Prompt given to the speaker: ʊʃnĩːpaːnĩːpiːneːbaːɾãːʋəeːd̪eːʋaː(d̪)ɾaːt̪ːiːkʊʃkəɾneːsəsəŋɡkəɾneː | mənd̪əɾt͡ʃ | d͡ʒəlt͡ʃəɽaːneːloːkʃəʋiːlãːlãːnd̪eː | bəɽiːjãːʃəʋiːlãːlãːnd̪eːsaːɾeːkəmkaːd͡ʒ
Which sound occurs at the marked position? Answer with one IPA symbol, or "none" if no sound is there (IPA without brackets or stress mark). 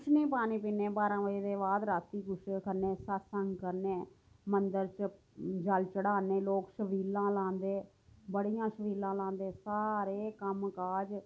d̪